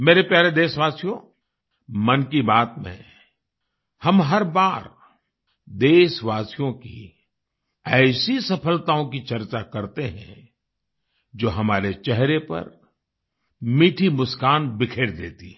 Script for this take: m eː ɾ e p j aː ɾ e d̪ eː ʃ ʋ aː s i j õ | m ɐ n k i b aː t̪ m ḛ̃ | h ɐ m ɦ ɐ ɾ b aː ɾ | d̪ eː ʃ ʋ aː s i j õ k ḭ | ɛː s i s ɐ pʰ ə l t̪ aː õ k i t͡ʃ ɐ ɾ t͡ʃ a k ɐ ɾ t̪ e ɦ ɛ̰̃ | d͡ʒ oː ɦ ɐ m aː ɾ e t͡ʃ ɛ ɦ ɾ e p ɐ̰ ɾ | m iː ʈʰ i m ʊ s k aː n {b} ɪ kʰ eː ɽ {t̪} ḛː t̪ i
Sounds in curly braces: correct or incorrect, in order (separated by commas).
correct, incorrect